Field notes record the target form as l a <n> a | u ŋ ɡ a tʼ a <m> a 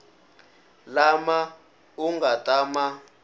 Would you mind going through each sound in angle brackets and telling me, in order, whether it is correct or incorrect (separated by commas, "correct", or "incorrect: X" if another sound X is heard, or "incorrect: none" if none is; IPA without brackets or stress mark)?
incorrect: m, correct